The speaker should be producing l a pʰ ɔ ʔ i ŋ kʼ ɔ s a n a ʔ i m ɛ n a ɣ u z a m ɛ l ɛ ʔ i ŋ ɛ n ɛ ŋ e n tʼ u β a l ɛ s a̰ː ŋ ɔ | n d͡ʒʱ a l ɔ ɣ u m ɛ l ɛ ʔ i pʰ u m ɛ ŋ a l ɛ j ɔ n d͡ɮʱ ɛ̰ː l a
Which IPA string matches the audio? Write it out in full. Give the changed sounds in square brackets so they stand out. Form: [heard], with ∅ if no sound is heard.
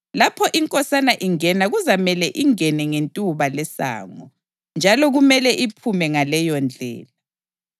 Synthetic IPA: l a pʰ ɔ ʔ i ŋ kʼ ɔ s a n a ʔ i [ŋ] ɛ n a ɣ u z a m ɛ l ɛ ʔ i ŋ ɛ n ɛ ŋ e n tʼ u β a l ɛ s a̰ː ŋ ɔ | n d͡ʒʱ a l ɔ ɣ u m ɛ l ɛ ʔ i pʰ u m ɛ ŋ a l ɛ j ɔ n d͡ɮʱ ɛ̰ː l a